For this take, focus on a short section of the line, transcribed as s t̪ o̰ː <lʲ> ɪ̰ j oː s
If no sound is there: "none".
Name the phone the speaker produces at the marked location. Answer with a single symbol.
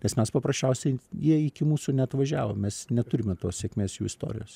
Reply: ɾʲ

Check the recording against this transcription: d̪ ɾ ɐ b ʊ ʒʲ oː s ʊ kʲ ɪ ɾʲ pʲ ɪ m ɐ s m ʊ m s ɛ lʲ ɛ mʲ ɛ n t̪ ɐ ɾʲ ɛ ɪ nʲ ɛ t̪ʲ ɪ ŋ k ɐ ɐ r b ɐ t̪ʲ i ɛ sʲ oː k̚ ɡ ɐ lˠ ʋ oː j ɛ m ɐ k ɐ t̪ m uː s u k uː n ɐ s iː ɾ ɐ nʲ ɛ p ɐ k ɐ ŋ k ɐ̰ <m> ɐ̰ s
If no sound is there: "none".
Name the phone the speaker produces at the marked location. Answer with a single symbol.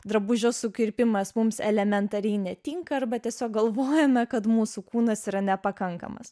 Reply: m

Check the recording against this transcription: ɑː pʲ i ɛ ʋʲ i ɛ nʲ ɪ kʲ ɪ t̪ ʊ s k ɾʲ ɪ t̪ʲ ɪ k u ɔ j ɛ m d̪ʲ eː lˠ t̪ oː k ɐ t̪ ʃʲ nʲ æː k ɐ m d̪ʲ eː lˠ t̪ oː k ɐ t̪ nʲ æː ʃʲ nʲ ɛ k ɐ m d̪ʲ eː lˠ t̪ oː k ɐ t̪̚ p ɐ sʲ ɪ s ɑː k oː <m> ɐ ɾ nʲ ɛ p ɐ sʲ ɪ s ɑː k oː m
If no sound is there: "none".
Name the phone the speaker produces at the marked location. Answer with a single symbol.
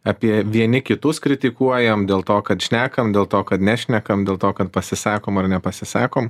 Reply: m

